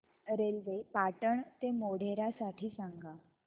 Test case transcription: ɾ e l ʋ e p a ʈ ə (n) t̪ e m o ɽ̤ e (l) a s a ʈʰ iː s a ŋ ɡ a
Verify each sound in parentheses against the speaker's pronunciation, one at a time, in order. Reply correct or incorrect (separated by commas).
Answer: incorrect, incorrect